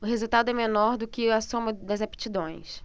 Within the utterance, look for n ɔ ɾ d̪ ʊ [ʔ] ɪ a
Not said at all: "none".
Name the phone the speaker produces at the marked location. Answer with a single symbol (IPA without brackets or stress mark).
k